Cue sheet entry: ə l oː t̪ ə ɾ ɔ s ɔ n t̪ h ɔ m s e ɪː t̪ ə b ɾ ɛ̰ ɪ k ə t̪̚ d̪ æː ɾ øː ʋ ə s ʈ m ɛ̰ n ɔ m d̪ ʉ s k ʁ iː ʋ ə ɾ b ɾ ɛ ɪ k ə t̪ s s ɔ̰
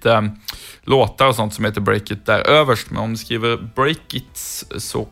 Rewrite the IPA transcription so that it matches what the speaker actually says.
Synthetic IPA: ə l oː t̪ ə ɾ ɔ s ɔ n t̪ s ɔ m h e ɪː t̪ ə b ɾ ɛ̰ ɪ k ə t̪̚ d̪ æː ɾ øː ʋ ə ʂ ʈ m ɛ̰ n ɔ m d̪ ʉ s k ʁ iː ʋ ə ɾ b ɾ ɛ ɪ k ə t̪ s s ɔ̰